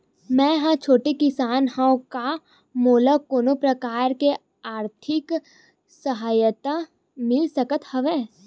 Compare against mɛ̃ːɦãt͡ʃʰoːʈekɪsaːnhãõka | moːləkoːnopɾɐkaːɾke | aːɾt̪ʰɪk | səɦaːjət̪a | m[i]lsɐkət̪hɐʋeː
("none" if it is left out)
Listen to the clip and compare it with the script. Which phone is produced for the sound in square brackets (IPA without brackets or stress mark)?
ɪ